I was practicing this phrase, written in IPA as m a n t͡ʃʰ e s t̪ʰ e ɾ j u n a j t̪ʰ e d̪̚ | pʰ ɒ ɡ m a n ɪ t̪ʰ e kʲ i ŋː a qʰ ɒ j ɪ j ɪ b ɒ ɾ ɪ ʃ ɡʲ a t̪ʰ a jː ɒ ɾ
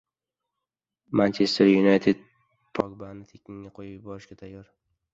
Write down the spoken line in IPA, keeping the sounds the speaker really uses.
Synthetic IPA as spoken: m a n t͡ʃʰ e s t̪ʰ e ɾ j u n a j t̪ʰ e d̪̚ | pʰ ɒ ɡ b a n ɪ t̪ʰ e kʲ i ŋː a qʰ o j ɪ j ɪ b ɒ ɾ ɪ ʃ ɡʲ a t̪ʰ a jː ɒ ɾ